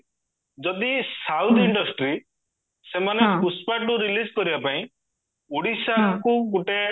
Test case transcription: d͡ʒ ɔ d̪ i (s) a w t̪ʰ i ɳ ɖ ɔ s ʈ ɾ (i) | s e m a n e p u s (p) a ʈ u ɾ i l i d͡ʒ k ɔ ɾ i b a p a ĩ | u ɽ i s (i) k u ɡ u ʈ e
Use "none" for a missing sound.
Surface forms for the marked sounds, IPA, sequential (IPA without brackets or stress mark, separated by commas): s, i, p, a